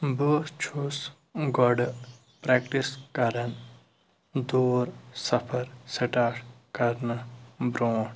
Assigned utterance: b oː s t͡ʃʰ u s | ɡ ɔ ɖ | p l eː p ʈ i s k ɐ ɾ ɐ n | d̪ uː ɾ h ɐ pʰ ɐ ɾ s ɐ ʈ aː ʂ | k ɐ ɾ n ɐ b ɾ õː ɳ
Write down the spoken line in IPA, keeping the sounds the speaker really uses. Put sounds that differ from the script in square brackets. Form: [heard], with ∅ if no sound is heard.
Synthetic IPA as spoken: b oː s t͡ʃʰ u s | ɡ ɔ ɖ | p [ɾ] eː [k] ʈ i s k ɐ ɾ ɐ n | d̪ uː ɾ [s] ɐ pʰ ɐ ɾ s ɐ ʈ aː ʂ | k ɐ ɾ n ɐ b ɾ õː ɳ